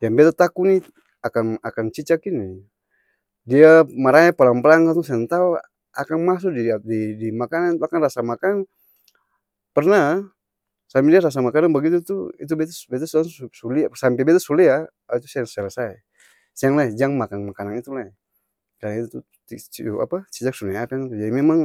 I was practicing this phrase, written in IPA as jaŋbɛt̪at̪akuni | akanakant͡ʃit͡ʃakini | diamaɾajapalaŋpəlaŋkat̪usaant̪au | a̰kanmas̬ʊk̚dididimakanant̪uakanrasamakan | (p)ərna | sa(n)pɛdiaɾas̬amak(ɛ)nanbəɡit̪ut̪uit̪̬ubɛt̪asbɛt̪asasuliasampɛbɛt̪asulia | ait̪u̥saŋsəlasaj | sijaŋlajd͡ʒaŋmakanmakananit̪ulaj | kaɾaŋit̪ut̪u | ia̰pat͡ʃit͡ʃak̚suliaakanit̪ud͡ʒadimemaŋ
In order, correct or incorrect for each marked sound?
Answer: correct, incorrect, incorrect

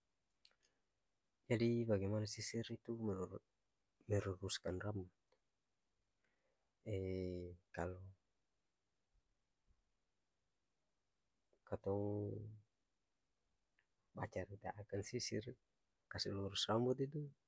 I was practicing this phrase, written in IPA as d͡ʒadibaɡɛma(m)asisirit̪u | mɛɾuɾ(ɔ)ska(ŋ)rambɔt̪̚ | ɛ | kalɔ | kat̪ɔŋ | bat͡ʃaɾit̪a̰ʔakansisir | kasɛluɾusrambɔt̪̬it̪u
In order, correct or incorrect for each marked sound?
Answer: incorrect, incorrect, incorrect

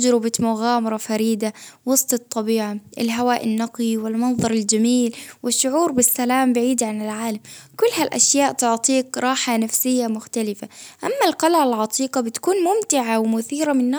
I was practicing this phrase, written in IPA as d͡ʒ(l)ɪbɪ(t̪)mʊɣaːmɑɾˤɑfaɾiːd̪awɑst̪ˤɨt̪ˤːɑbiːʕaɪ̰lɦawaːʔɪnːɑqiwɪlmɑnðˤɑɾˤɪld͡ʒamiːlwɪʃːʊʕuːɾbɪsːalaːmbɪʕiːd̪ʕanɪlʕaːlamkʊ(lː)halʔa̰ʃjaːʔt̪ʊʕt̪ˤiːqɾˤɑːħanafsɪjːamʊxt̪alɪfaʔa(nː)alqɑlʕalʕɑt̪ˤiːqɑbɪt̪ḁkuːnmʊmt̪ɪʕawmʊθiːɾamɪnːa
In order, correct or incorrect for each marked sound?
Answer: incorrect, correct, correct, incorrect

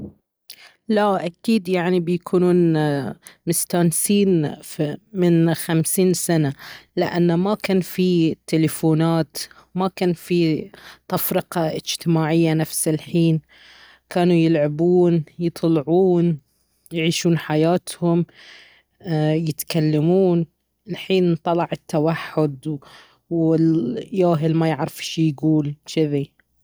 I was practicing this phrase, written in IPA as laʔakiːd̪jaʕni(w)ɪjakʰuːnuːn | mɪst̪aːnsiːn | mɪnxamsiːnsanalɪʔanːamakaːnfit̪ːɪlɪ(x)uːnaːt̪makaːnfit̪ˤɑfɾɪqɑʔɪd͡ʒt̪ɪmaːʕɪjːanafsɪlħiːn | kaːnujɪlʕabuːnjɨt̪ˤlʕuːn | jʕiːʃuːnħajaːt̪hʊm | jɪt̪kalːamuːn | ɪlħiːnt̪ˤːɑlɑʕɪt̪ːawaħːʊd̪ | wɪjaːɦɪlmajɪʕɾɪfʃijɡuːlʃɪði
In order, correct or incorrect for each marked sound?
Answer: incorrect, incorrect

